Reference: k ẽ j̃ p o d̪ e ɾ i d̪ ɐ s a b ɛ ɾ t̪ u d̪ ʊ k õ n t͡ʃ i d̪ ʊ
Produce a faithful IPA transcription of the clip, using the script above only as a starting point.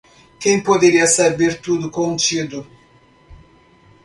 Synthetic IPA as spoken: k ẽ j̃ p o d̪ e ɾ i ɐ s a b e ɾ t̪ u d̪ ʊ k õ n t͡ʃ i d̪ ʊ